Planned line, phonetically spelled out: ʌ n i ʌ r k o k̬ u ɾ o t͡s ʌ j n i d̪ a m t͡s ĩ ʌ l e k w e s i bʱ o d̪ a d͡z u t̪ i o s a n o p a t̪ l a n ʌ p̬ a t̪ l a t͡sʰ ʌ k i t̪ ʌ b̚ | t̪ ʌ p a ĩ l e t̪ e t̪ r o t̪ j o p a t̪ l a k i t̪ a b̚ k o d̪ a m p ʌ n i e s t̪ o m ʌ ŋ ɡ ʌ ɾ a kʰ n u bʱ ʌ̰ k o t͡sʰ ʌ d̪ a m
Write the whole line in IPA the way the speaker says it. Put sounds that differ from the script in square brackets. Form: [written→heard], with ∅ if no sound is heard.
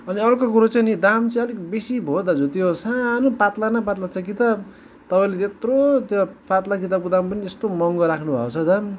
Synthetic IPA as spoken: ʌ n i ʌ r k o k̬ u ɾ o t͡s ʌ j n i d̪ a m t͡s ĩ ʌ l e k [w→b] e s i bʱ o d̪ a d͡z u t̪ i o s a n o p a t̪ l a n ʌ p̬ a t̪ l a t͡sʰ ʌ k i t̪ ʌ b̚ | t̪ ʌ p a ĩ l e t̪ e t̪ r o t̪ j o p a t̪ l a k i t̪ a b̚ k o d̪ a m p ʌ n i e s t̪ o m ʌ ŋ ɡ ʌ ɾ a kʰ n u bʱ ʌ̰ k o t͡sʰ ʌ d̪ a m

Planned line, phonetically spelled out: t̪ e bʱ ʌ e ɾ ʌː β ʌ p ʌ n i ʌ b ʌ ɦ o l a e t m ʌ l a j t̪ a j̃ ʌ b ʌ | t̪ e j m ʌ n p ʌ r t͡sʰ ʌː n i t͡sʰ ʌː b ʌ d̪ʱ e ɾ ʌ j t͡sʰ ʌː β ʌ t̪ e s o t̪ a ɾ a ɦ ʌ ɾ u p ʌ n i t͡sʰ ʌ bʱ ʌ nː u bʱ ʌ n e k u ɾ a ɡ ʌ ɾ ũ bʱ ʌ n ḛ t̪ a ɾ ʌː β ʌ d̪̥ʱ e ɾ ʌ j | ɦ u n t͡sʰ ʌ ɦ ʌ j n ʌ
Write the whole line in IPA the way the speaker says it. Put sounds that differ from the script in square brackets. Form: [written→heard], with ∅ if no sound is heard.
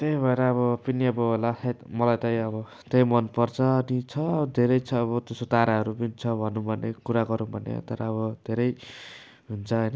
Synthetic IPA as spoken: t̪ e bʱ ʌ e ɾ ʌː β ʌ p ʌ n i ʌ b ʌ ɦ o l a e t m ʌ l a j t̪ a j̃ ʌ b ʌ | t̪ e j m ʌ n p ʌ r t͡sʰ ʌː n i t͡sʰ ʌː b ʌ d̪ʱ e ɾ ʌ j t͡sʰ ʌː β ʌ t̪ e s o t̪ a ɾ a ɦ ʌ ɾ u p ʌ n i t͡sʰ ʌ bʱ ʌ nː u bʱ ʌ n e k u ɾ a ɡ ʌ ɾ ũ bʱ ʌ n ḛ t̪ [a→ʌ] ɾ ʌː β ʌ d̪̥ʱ e ɾ ʌ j | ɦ u n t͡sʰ ʌ ɦ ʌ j n ʌ

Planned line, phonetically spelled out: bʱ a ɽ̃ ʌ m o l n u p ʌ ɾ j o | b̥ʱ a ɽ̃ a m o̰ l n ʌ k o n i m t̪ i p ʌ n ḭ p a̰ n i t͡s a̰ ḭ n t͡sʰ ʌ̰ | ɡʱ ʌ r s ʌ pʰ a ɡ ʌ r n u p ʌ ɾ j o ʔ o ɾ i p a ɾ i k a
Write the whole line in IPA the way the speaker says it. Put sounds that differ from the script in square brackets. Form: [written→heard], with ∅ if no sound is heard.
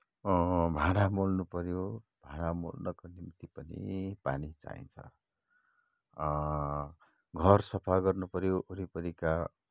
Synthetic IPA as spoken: bʱ a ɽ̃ [ʌ→a] m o l n u p ʌ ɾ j o | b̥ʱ a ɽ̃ a m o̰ l n ʌ k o n i m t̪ i p ʌ n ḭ p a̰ n i t͡s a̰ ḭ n t͡sʰ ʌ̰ | ɡʱ ʌ r s ʌ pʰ a ɡ ʌ r n u p ʌ ɾ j o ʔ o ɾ i p [a→ʌ] ɾ i k a

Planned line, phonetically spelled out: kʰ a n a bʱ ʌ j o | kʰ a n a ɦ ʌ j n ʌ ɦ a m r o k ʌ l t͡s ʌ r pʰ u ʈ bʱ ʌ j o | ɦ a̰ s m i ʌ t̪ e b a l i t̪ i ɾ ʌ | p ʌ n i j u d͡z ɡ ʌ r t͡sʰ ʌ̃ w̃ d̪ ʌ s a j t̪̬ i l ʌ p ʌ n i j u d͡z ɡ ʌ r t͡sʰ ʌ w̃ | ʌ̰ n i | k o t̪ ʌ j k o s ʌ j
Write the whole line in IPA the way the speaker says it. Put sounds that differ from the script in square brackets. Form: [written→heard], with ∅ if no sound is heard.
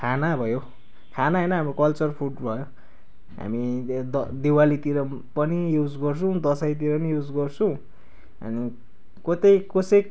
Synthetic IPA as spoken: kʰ a n a bʱ ʌ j o | kʰ a n a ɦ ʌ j n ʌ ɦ a m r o k ʌ l t͡s ʌ r pʰ u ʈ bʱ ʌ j o | ɦ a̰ [s→∅] m i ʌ [t̪→d̪] e [b→w] a l i t̪ i ɾ ʌ | p ʌ n i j u d͡z ɡ ʌ r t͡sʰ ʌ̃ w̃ d̪ ʌ s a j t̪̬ i [l→ɾ] ʌ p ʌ n i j u d͡z ɡ ʌ r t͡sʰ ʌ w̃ | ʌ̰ n i | k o t̪ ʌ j k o s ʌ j

